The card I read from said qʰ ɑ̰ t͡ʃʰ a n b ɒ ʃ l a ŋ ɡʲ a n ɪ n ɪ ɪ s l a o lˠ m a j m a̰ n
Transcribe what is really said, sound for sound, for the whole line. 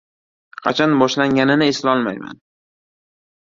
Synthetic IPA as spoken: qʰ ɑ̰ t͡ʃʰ a n b ɒ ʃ l a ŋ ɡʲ a n ɪ n ɪ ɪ s l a ɒ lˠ m a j m a̰ n

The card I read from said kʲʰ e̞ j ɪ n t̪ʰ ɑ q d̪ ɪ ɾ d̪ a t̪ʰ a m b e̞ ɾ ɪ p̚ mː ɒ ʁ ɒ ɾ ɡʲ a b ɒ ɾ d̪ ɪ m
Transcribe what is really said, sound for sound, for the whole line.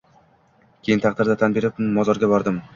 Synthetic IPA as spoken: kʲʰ e̞ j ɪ n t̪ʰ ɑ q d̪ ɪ ɾ d̪ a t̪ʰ a n b e̞ ɾ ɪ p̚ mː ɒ z ɒ ɾ ɡʲ a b ɒ ɾ d̪ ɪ m

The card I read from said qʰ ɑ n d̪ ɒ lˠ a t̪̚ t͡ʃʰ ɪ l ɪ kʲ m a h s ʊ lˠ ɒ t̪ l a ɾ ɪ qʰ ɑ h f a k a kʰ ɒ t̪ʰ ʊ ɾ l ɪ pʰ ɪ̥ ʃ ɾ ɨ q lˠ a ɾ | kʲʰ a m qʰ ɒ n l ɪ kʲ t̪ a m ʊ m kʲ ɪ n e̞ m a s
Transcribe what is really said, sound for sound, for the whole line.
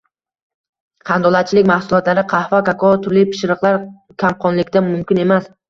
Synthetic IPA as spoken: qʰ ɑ n d̪ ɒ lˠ a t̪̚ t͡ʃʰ ɪ l ɪ kʲ m a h s ʊ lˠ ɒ t̪ l a ɾ ɪ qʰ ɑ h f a k a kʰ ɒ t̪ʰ ʊ ɾ l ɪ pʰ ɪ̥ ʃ ɾ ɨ q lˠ a ɾ | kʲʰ a m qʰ ɒ n l ɪ kʲ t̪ a m ʊ m kʲ ɪ n e̞ m a s

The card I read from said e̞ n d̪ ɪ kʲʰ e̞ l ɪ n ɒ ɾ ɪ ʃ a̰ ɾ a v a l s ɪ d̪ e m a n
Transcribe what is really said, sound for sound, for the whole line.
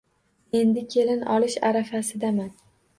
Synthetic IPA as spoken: e̞ n d̪ ɪ kʲʰ e̞ l ɪ n ɒ l ɪ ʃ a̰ ɾ a f a s ɪ d̪ a m a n

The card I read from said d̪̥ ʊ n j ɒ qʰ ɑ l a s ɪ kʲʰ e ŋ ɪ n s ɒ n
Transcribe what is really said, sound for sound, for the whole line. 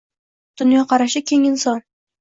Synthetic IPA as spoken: d̪̥ ʊ n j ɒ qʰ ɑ ɾ a ʃ ɪ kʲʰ e ŋ ɪ n s ɒ n

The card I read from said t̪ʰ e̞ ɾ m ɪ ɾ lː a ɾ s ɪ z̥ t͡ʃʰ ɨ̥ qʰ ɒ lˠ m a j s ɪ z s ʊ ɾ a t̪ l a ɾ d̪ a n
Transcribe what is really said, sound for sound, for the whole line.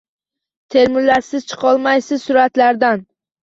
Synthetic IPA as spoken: t̪ʰ e̞ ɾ m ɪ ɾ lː a ɾ s ɪ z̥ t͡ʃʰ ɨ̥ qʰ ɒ lˠ m a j s ɪ z s ʊ ɾ a t̪ l a ɾ d̪ a n

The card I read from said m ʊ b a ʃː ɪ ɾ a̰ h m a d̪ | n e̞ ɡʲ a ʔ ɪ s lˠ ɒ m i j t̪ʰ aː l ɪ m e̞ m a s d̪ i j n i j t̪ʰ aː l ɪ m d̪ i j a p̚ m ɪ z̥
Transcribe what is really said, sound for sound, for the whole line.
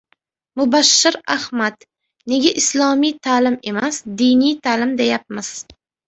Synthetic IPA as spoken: m ʊ b a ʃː ɪ ɾ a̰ h m a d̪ | n e̞ ɡʲ a ʔ ɪ s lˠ ɒ m i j t̪ʰ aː l ɪ m e̞ m a s d̪ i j n i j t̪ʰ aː l ɪ m d̪ e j a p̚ m ɪ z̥

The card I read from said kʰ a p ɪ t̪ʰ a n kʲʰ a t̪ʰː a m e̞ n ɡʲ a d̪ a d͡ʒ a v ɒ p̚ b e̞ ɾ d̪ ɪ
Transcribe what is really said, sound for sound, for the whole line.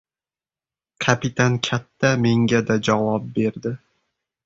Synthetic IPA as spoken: kʰ a p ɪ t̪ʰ a n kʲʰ a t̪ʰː a m e̞ ŋ ɡʲ a d̪ a d͡ʒ a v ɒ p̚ b e̞ ɾ d̪ ɪ

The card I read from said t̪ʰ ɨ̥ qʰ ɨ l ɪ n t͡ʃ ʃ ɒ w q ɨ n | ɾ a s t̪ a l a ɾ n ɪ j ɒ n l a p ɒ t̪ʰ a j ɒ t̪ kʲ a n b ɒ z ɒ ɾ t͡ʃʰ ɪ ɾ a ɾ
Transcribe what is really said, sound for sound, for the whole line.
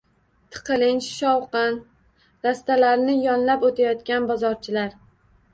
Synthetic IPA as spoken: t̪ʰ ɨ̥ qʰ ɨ l ɪ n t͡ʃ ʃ ɒ w q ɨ n | ɾ a s t̪ a l a ɾ n ɪ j ɒ n l a p o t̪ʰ a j ɒ t̪ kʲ a n b ɒ z ɒ ɾ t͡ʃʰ ɪ l a ɾ

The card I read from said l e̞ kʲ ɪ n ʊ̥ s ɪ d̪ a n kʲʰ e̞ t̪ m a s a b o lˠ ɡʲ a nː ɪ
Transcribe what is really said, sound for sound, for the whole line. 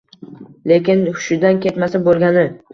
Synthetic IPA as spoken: l e̞ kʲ ɪ n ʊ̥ ʃ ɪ d̪ a n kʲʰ e̞ t̪ m a s a b o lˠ ɡʲ a n ɪ

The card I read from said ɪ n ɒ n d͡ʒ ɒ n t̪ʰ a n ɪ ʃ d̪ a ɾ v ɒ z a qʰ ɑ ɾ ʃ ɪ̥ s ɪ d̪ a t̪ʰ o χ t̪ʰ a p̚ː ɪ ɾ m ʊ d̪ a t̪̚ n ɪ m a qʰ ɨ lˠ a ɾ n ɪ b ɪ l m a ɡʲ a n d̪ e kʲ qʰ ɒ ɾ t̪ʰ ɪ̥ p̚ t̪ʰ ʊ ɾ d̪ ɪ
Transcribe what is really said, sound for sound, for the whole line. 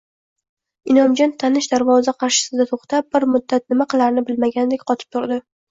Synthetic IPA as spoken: ɪ n ɒ m d͡ʒ ɒ n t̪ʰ a n ɪ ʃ d̪ a ɾ v ɒ z a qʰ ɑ ɾ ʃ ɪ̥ s ɪ d̪ a t̪ʰ o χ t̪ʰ a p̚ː ɪ ɾ m ʊ d̪ː a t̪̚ n ɪ m a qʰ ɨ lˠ a ɾ n ɪ b ɪ l m a ɡʲ a n d̪ e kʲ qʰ ɒ t̪ʰ ɪ̥ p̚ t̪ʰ ʊ ɾ d̪ ɪ

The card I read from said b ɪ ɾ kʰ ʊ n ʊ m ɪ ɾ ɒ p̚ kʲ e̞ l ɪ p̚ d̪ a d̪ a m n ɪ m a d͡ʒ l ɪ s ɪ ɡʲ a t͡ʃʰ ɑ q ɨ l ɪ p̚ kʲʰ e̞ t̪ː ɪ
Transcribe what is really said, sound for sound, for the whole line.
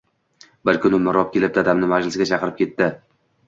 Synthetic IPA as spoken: b ɪ ɾ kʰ ʊ n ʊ m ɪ ɾ ɒ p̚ kʲ e̞ l ɪ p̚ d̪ a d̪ a m n ɪ m a d͡ʒ l ɪ s ɪ ɡʲ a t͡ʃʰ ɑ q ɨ ɾ ɪ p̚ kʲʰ e̞ t̪ː ɪ

